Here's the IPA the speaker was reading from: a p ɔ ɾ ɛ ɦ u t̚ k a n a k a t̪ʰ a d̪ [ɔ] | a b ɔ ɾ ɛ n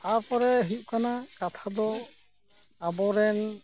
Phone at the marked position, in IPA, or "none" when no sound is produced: ɔ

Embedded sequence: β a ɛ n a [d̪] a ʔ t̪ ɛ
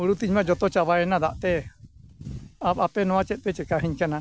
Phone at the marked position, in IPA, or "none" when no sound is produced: d̪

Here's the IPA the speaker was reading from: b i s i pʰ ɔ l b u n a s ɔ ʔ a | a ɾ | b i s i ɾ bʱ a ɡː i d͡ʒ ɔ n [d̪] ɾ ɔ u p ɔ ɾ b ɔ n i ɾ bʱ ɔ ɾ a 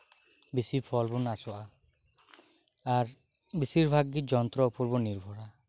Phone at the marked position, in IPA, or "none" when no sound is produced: t̪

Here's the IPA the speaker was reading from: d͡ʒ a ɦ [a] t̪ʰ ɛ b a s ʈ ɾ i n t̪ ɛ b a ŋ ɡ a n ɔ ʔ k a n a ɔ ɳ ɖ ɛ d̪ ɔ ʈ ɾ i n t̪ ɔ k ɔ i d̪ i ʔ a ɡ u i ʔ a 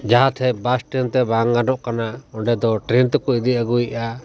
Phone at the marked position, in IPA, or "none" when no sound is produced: a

